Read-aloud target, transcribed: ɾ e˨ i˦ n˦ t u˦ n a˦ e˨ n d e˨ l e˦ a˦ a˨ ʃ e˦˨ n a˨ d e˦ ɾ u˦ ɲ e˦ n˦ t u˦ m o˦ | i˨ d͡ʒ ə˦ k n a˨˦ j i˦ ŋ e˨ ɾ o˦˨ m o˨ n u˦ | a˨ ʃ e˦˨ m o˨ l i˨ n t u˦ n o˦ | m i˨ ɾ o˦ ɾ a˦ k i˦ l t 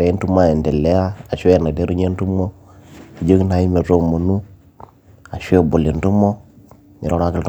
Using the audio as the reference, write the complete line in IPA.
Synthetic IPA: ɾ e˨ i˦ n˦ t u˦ m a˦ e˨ n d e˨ l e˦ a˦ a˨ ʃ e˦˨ n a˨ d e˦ ɾ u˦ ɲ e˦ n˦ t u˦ m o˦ | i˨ d͡ʒ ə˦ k n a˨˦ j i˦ m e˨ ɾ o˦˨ m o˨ n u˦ | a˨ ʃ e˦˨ b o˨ l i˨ n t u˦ m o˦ | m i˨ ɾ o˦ ɾ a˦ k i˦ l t